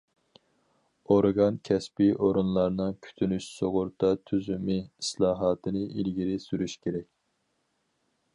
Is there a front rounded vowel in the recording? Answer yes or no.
yes